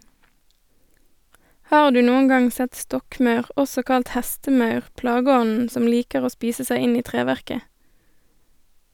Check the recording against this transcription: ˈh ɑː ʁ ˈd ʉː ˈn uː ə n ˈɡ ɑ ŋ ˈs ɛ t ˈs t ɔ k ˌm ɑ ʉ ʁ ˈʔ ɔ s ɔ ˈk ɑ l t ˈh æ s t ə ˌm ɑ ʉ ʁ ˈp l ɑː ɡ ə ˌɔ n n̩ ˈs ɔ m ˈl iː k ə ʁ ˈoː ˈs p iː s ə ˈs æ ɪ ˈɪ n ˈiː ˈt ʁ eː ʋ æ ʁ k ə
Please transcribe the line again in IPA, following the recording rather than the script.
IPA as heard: ˈh ɑː ʁ ˈd ʉː ˈn uː ə n ˈɡ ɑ ŋ ˈs ɛ t ˈs t ɔ k ˌm ɑ ʉ ʁ ˈʔ ɔ s ɔ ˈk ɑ l t ˈh æ s t ə ˌm ɑ ʉ ʁ ˈp l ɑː ɡ ə ˌɔ n n̩ ˈs ɔ m ˈl iː k ə ʁ ˈoː ˈs p iː s ə ˈs æ ɪ ˈɪ n ˈiː ˈt ʁ eː ʋ æ ʁ k ə

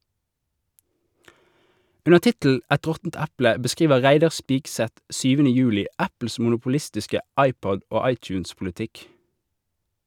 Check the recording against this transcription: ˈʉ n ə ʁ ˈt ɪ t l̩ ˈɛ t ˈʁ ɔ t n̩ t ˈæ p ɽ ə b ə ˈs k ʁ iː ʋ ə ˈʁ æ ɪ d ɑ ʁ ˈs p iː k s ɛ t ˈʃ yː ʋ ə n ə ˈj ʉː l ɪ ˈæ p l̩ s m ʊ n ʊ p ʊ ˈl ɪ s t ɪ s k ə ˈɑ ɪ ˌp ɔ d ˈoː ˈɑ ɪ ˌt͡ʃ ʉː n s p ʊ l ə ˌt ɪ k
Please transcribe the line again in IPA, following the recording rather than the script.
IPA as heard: ˈʉ n ə ʁ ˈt ɪ t l̩ ˈɛ t ˈʁ ɔ t n̩ t ˈæ p l ə b ə ˈs k ʁ iː ʋ ə ˈʁ æ ɪ d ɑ ʁ ˈs p iː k s ɛ t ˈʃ yː ʋ ə n ə ˈj ʉː l ɪ ˈæ p l̩ s m ʊ n ʊ p ʊ ˈl ɪ s t ɪ s k ə ˈɑ ɪ ˌp ɔ d ˈoː ˈɑ ɪ ˌt͡ʃ ʉː n s p ʊ l ə ˌt ɪ k

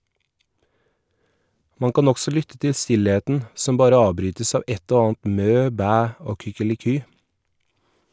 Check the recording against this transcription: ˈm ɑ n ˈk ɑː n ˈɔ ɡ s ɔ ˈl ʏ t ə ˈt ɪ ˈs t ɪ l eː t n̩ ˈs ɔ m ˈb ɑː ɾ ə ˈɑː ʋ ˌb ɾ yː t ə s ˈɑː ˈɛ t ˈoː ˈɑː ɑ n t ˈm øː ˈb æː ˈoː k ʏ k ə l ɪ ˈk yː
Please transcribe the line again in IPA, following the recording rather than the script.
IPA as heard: ˈm ɑ ŋ ˈk ɑː n ˈɔ ɡ s ɔ ˈl ʏ t ə ˈt ɪ ˈs t ɪ l eː t n̩ ˈs ɔ m ˈb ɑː ɾ ə ˈɑː ʋ ˌb ɾ yː t ə s ˈɑː ˈɛ t ˈoː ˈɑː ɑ n t ˈm øː ˈb æː ˈoː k ʏ k ə l ɪ ˈk yː

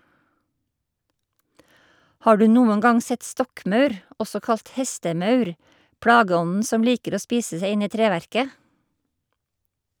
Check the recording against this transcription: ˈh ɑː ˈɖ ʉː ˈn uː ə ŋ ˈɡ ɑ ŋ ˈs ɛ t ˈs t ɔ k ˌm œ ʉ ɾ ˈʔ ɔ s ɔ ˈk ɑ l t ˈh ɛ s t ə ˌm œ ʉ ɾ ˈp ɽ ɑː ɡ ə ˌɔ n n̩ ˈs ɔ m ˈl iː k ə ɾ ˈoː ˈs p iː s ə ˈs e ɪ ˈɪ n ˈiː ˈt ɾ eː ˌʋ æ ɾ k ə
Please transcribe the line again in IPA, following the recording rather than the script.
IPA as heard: ˈh ɑː ˈɖ ʉː ˈn uː ə n ˈɡ ɑ ŋ ˈs ɛ t ˈs t ɔ k ˌm œ ʉ ɾ ˈʔ ɔ s ɔ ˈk ɑ l t ˈh ɛ s t ə ˌm œ ʉ ɾ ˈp ɽ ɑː ɡ ə ˌɔ n n̩ ˈs ɔ m ˈl iː k ə ɾ ˈoː ˈs p iː s ə ˈs e ɪ ˈɪ n ˈiː ˈt ɾ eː ˌʋ æ ɾ k ə

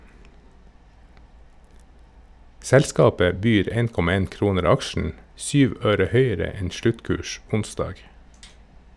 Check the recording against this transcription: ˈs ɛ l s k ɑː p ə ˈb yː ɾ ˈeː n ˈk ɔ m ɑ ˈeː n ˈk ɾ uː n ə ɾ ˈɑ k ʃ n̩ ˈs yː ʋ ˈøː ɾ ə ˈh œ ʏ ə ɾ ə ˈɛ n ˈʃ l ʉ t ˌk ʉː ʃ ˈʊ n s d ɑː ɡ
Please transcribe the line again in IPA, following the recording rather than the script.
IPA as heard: ˈs ɛ l s k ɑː p ə ˈb yː ɾ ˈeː n ˈk ɔ m ɑ ˈeː n ˈk ɾ uː n ə ɾ ˈɑ k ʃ n̩ ˈs yː ʋ ˈøː ɾ ə ˈh œ ʏ ə ɾ ə ˈɛ n ˈʃ l ʉ t ˌk ʉː ʃ ˈʊ n s d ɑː ɡ

